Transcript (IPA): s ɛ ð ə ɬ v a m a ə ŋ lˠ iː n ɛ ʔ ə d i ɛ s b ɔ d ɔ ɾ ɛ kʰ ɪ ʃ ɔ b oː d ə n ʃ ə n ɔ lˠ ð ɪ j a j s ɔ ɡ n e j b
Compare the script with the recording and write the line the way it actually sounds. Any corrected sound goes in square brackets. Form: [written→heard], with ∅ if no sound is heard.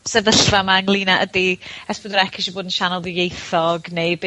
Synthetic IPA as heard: s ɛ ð ə ɬ v a m a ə ŋ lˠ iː n [ɛ→a] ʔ ə d i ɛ s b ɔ d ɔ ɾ ɛ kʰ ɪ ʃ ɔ b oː d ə n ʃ [ə→a] n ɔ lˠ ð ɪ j [a→e] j [s→θ] ɔ ɡ n e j b